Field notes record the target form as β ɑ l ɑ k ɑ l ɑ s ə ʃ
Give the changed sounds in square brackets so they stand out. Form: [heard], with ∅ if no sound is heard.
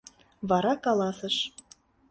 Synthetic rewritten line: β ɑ [ɾ] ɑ k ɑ l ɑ s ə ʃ